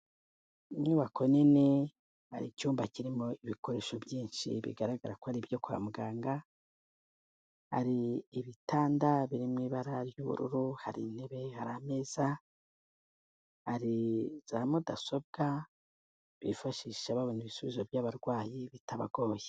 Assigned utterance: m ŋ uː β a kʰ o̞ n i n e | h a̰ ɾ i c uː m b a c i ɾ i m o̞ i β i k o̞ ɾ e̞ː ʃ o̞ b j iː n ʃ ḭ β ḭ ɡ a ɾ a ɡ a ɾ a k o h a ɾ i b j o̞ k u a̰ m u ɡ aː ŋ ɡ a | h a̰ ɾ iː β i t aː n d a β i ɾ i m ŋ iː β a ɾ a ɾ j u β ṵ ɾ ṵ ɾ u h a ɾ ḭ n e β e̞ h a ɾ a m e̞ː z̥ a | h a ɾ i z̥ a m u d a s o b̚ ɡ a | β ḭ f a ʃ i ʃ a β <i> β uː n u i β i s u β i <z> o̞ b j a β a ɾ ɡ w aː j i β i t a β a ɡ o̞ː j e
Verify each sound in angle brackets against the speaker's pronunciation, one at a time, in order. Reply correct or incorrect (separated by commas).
incorrect, correct